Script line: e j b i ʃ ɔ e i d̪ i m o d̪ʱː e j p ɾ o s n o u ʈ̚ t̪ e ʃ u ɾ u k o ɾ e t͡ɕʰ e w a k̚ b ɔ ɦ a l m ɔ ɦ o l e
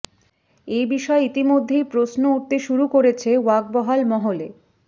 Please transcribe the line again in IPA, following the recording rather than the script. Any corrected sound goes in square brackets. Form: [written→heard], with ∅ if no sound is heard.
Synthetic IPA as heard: e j b i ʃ ɔ e i [d̪→t̪] i m o d̪ʱː e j p ɾ o s n o u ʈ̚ t̪ e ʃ u ɾ u k o ɾ e t͡ɕʰ e w a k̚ b ɔ ɦ a l m ɔ ɦ o l e